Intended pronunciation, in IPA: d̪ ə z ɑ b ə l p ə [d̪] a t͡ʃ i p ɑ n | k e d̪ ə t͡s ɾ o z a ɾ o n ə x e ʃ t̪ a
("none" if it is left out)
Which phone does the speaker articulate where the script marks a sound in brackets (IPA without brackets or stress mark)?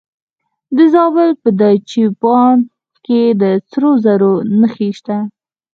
d̪